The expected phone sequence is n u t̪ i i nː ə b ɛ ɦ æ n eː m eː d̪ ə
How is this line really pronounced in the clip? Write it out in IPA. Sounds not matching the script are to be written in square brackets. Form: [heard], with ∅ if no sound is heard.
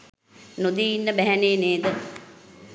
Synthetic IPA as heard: n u [d̪] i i nː ə b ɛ ɦ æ n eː [n] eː d̪ ə